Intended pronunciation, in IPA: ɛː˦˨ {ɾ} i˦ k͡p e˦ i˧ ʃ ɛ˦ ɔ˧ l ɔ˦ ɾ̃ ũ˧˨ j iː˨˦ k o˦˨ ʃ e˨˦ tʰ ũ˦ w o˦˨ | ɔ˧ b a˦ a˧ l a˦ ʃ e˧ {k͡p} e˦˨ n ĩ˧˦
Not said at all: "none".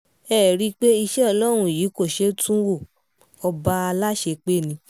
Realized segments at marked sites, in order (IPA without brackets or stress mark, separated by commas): ɾ, k͡p